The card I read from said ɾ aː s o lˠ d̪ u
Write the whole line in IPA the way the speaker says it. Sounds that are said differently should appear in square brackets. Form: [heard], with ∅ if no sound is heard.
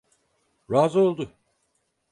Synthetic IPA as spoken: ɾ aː [z] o lˠ d̪ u